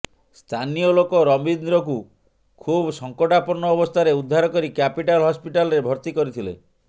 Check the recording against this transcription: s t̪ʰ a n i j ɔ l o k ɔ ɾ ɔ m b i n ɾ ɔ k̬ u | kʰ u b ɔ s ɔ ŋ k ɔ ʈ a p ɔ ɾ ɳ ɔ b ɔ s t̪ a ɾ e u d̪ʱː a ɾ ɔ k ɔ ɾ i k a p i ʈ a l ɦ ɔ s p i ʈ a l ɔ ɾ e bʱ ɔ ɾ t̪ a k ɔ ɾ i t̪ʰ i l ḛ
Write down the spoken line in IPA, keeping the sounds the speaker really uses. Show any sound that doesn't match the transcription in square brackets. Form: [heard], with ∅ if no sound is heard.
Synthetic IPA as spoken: s t̪ʰ a n i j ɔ l o k ɔ ɾ ɔ m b i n ɾ ɔ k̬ u | kʰ u b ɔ s ɔ ŋ k ɔ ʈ a p ɔ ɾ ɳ [ɔː] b ɔ s [t̪ʰ] a ɾ e u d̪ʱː a ɾ ɔ k ɔ ɾ i k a p i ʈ a l ɦ ɔ s p i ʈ a l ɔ ɾ e bʱ ɔ ɾ t̪ [i] k ɔ ɾ i t̪ʰ i l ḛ